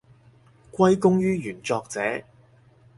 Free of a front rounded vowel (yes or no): no